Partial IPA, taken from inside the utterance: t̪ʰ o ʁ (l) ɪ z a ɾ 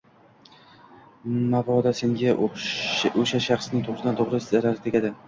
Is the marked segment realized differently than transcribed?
yes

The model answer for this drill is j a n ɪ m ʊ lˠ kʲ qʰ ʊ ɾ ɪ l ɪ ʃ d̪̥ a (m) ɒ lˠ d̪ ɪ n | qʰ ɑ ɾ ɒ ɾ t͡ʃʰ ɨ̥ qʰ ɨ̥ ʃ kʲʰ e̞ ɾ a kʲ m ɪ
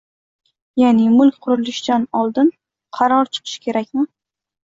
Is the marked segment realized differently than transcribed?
yes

